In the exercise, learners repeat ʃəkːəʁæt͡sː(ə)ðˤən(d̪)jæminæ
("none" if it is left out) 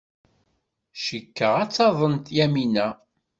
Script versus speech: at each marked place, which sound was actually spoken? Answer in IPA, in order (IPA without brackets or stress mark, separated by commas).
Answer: ɑ, t̪